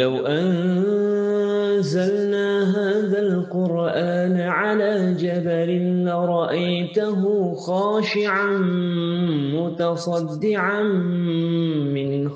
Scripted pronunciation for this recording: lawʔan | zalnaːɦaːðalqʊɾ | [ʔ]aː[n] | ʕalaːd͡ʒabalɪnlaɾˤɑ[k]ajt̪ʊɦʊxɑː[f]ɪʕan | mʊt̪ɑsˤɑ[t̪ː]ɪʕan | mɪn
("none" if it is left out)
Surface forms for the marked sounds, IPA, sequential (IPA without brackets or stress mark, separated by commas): ʔ, n, ʔ, ʃ, d̪ː